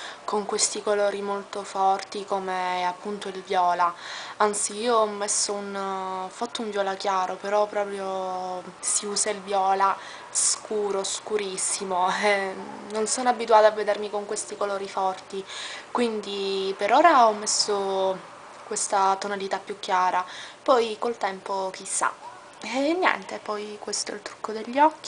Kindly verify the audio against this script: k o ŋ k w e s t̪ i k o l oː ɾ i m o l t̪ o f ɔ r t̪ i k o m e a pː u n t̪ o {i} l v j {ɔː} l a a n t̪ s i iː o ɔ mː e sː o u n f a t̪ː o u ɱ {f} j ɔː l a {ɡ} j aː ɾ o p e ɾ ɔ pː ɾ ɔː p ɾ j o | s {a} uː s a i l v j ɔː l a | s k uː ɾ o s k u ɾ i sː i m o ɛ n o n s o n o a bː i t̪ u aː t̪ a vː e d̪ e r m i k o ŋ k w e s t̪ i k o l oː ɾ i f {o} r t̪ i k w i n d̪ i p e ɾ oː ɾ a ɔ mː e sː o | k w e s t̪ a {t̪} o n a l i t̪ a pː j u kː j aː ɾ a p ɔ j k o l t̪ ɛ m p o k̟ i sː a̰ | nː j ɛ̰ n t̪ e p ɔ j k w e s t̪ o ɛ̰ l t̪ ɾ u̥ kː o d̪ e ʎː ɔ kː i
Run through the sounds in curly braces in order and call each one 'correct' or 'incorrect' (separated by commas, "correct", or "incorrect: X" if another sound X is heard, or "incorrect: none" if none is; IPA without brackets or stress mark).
correct, correct, incorrect: v, incorrect: k, incorrect: i, incorrect: ɔ, correct